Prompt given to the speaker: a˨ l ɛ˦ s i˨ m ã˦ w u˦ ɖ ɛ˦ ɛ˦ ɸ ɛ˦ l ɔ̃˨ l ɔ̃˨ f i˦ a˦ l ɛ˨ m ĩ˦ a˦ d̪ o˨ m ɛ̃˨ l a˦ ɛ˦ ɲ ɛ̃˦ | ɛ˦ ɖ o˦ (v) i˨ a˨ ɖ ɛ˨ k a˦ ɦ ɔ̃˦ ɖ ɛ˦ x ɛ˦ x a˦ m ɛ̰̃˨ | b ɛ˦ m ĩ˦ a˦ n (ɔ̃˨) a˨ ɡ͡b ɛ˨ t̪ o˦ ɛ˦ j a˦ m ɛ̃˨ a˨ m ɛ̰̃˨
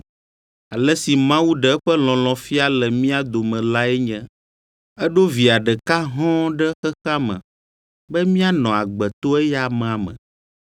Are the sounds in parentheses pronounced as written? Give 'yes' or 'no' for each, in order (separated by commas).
yes, yes